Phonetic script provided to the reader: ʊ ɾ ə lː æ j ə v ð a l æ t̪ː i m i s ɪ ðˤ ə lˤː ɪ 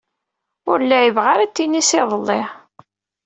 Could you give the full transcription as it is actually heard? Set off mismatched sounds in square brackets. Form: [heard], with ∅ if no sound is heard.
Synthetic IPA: ʊ ɾ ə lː æ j ə v [ʁ] a [ɾ] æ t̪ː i [n] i s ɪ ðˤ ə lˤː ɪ